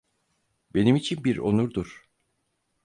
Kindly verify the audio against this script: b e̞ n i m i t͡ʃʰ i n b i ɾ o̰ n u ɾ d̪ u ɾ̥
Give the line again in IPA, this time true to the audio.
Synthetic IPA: b e̞ n i m i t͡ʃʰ i n b i ɾ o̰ n u ɾ d̪ u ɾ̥